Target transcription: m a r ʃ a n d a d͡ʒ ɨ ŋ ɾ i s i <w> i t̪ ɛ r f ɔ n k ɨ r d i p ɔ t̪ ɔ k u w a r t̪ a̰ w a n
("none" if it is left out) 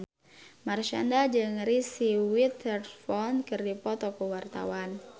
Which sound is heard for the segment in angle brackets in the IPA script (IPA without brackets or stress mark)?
w